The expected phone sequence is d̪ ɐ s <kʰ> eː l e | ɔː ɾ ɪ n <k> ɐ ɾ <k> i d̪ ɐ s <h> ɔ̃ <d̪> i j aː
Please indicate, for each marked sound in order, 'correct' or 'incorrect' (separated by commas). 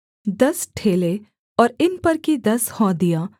incorrect, incorrect, correct, correct, correct